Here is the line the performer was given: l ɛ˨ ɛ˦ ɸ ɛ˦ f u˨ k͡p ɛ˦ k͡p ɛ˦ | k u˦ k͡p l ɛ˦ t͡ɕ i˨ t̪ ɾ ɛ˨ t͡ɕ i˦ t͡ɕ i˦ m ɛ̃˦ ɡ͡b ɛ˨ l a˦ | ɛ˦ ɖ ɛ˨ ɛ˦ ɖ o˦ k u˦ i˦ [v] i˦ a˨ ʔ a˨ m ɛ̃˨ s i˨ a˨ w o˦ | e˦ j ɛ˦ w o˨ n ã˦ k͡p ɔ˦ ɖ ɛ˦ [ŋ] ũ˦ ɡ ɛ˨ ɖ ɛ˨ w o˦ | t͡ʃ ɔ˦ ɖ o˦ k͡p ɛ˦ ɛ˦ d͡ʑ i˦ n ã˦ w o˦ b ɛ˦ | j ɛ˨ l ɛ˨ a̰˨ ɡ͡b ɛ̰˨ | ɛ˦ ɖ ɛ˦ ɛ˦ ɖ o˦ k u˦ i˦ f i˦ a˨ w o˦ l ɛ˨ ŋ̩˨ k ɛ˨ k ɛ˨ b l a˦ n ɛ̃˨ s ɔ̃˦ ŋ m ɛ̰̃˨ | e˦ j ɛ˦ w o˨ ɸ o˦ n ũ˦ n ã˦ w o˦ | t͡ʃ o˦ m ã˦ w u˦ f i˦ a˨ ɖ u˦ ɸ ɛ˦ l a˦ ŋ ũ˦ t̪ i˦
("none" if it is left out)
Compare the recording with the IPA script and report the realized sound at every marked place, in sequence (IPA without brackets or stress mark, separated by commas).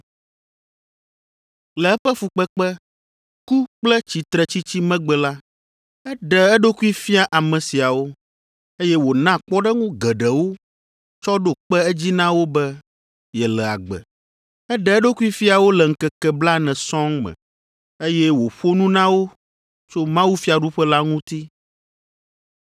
f, ŋ